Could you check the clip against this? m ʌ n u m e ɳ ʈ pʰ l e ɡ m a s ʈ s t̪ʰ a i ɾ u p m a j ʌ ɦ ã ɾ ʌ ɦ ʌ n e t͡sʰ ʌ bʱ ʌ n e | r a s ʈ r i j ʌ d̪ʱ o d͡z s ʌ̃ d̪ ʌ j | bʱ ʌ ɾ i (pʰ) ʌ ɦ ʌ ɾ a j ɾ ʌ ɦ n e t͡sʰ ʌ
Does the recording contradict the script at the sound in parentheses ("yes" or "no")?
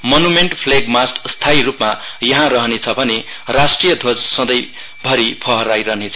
no